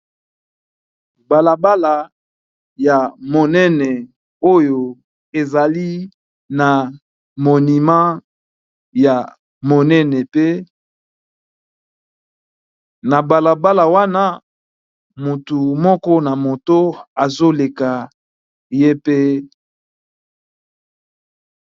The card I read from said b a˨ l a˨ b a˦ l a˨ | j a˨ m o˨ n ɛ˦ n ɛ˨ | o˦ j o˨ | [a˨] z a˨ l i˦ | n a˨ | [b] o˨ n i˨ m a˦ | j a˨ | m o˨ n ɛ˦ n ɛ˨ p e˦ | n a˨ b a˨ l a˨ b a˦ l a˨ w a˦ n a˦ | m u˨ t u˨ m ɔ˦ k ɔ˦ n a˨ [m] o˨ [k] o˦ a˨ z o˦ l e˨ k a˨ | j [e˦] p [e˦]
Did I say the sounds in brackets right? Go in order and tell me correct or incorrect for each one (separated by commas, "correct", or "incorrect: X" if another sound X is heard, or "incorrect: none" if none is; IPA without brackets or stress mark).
incorrect: e˨, incorrect: m, correct, incorrect: t, correct, correct